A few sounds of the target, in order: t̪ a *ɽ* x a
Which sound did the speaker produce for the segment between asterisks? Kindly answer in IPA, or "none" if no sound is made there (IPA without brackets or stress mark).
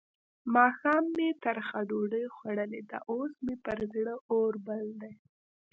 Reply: ɾ